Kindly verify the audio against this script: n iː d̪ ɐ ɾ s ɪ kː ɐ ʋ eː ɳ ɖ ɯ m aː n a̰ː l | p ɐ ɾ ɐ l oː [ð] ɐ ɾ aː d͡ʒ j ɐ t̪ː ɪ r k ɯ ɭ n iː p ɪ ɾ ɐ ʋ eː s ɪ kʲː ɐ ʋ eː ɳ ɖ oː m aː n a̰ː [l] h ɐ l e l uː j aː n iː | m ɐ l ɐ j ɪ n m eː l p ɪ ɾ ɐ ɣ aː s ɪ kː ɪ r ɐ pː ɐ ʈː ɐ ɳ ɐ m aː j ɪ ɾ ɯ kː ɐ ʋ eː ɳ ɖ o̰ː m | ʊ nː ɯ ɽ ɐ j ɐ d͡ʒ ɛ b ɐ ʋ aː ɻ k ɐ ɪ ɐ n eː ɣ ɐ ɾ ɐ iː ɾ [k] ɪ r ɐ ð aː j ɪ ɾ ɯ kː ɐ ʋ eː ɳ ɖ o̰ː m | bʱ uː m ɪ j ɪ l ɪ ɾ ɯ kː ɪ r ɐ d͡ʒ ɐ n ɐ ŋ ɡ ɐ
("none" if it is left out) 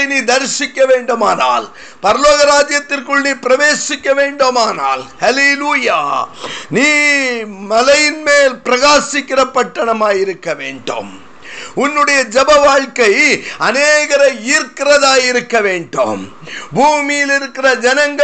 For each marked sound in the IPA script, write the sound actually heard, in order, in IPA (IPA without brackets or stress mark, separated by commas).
ɣ, l, k